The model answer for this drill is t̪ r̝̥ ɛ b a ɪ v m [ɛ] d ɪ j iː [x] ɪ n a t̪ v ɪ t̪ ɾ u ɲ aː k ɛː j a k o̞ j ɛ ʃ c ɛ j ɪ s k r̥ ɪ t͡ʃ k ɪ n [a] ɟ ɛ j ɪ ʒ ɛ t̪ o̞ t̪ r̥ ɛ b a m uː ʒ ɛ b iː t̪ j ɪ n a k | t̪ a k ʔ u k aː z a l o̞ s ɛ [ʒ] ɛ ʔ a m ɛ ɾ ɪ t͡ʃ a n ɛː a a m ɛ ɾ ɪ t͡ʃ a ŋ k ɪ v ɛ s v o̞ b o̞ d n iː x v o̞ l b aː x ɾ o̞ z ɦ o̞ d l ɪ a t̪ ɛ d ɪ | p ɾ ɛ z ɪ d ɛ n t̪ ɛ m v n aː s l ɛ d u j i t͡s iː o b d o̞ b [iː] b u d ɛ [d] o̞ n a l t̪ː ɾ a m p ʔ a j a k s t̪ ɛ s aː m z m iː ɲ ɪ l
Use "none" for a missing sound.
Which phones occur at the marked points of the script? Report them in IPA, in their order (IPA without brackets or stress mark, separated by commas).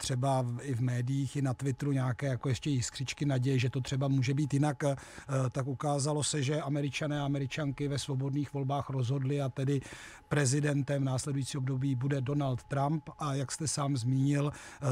ɛː, x, a, ʒ, iː, d